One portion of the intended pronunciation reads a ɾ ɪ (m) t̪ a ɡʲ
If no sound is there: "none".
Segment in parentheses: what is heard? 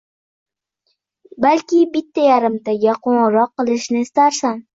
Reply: m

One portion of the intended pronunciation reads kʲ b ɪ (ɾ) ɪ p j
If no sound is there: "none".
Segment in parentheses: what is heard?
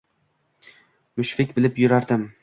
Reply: l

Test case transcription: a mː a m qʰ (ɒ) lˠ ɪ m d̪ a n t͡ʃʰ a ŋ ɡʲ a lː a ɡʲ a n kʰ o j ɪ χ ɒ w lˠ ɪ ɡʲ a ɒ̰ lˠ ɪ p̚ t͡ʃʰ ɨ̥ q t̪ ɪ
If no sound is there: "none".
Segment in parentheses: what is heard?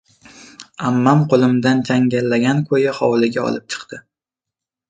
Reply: o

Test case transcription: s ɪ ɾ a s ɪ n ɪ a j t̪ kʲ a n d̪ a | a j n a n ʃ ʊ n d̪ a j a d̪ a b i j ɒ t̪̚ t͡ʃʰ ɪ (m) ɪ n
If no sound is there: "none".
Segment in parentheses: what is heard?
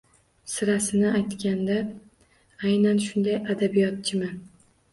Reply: m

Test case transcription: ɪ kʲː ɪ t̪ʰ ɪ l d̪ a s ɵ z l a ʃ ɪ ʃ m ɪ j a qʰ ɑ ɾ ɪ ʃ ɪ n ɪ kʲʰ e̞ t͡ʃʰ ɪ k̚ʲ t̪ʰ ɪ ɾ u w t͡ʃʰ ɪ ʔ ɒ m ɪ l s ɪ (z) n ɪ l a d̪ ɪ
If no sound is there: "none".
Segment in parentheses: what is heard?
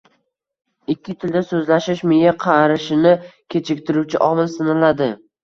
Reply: none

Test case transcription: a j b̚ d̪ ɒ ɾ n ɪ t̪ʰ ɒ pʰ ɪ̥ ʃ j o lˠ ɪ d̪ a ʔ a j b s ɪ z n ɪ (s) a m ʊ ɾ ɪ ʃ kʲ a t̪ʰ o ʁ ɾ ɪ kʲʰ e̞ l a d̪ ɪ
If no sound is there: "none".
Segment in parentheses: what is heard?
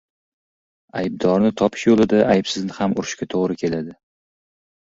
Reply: h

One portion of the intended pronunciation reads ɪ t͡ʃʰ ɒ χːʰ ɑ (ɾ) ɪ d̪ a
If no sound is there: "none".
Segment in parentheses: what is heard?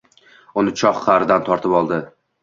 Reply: ɾ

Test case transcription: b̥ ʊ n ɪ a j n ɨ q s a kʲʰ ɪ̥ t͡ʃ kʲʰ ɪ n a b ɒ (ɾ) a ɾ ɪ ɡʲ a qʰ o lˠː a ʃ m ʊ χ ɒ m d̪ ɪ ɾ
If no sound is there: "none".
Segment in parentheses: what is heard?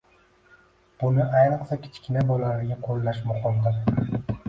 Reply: l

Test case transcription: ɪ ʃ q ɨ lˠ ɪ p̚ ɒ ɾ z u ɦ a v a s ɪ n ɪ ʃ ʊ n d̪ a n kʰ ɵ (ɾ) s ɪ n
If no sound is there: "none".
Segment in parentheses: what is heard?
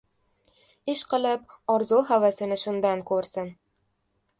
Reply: ɾ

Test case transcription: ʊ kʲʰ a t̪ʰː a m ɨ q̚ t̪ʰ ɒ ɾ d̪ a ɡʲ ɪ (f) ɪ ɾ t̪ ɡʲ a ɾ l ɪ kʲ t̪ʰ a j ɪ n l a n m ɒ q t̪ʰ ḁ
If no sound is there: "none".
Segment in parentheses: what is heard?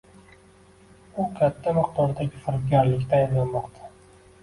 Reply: f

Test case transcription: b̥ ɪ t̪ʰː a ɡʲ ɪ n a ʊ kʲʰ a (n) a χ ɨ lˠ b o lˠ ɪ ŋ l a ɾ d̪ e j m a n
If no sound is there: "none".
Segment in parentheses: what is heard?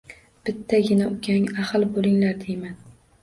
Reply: ŋ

